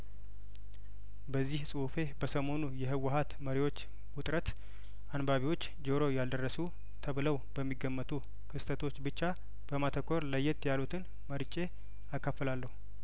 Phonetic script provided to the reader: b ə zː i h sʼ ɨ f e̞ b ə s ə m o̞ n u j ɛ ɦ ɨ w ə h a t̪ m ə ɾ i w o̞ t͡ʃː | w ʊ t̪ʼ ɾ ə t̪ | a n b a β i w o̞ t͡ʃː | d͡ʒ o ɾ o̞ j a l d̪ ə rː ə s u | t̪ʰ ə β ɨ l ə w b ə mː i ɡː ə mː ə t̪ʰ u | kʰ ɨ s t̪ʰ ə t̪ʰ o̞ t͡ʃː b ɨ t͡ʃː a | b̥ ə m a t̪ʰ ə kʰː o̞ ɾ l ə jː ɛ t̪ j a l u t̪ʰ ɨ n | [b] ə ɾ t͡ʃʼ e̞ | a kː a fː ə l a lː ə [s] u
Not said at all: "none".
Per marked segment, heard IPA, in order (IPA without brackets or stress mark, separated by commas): m, h